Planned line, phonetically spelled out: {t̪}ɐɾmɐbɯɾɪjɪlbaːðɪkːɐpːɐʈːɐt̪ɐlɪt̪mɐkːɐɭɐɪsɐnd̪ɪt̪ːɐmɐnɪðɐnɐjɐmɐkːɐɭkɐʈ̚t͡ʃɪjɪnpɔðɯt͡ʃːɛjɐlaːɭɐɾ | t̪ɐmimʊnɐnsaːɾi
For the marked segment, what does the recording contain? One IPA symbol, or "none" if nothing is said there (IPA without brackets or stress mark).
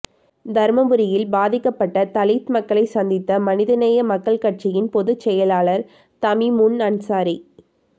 d̪